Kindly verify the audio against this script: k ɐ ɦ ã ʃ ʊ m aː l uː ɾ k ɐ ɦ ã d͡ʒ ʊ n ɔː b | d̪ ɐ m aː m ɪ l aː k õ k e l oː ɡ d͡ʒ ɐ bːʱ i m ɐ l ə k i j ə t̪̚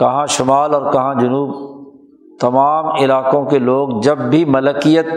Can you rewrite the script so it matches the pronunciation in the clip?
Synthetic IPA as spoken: k ɐ ɦ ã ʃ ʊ m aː l ɔː ɾ k ɐ ɦ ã d͡ʒ ʊ n uː b | t̪ ɐ m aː m ɪ l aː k õ k e l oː ɡ d͡ʒ ɐ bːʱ i m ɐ l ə k i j ə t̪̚